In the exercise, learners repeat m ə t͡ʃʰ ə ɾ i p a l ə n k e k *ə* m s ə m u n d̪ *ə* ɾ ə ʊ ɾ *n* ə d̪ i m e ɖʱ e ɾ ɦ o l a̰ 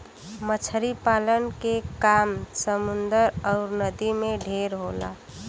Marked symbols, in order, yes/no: no, yes, yes

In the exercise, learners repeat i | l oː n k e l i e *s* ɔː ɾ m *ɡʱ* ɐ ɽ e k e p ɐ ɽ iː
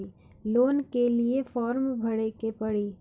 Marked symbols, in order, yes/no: no, no

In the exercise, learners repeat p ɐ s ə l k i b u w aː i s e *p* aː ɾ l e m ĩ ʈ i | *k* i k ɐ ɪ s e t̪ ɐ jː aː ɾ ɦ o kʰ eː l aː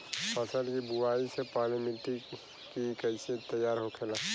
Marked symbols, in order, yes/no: yes, yes

